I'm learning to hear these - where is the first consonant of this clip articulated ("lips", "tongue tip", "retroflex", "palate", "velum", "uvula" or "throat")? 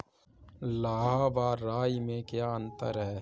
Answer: tongue tip